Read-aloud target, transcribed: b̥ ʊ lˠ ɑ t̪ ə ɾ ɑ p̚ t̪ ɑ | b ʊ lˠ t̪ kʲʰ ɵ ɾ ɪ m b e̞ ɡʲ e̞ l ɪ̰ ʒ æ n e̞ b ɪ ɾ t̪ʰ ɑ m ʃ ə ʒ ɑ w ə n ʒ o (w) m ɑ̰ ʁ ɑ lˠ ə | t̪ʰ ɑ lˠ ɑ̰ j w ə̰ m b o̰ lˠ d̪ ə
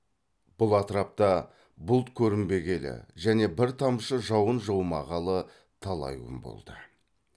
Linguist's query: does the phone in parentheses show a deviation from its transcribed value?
no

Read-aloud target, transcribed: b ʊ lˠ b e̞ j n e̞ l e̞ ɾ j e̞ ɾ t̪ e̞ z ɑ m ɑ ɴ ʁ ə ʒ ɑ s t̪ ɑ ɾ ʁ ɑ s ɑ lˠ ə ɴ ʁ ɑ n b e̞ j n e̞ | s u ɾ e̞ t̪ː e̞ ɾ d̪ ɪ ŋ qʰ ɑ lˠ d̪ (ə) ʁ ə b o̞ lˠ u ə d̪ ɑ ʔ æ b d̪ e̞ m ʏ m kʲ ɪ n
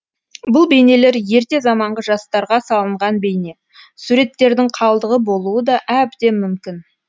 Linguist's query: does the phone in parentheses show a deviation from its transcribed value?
no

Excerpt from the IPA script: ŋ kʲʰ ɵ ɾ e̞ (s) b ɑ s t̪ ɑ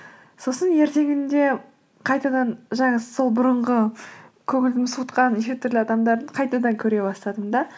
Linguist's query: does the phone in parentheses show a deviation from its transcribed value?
yes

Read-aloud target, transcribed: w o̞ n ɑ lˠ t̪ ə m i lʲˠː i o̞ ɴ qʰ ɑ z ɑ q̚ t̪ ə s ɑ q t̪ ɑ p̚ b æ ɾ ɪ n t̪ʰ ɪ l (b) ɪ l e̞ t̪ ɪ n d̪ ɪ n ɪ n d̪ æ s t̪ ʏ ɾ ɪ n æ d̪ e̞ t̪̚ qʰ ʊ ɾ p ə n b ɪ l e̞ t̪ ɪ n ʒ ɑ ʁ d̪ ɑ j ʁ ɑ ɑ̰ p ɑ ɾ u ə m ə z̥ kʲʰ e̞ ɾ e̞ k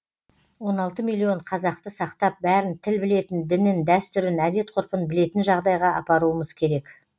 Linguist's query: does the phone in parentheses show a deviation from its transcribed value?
no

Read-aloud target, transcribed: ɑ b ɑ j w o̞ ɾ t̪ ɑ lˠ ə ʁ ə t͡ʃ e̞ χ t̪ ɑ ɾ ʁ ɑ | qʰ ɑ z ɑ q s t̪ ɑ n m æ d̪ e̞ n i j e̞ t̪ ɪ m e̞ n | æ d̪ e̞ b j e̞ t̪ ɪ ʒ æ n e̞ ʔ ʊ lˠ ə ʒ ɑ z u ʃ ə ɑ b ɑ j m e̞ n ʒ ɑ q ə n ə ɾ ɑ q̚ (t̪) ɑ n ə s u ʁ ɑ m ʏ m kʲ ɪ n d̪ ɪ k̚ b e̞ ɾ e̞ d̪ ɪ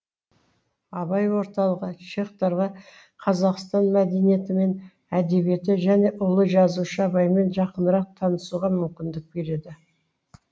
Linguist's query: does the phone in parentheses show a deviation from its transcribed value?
yes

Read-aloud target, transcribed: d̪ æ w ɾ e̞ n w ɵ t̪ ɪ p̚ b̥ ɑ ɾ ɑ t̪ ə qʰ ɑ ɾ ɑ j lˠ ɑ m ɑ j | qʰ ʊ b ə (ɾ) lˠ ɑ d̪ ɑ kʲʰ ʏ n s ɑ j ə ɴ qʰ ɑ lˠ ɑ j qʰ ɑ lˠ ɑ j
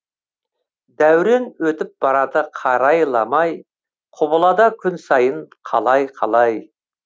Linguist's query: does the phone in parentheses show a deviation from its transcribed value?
yes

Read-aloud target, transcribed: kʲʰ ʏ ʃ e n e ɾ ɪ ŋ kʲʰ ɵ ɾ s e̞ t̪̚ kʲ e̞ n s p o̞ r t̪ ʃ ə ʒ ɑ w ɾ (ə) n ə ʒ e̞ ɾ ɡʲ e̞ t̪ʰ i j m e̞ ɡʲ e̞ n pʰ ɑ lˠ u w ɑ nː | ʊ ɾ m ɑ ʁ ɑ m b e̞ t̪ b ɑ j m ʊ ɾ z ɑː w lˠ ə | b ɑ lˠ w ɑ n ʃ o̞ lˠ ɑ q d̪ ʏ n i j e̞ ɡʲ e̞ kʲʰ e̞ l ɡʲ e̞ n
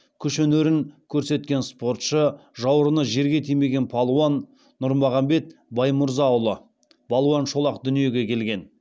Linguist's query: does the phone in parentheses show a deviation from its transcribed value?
no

